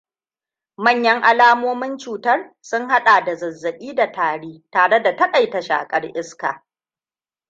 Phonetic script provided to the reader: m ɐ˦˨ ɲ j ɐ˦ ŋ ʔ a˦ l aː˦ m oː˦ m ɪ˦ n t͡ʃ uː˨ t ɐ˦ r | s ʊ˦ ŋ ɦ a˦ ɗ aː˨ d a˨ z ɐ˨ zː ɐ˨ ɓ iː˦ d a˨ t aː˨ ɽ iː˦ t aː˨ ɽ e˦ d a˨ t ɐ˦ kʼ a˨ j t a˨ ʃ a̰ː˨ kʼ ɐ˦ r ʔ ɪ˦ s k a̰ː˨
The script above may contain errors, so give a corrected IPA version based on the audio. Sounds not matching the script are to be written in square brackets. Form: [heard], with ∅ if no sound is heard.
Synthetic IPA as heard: m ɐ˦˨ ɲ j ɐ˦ ŋ ʔ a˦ l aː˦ m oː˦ m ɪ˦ n t͡ʃ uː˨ t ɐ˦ r | s ʊ˦ ŋ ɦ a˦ ɗ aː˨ d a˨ z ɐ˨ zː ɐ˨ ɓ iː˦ d a˨ t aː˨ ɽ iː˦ t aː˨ ɽ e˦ d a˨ t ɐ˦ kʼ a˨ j t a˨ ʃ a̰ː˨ kʼ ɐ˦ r ʔ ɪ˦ s k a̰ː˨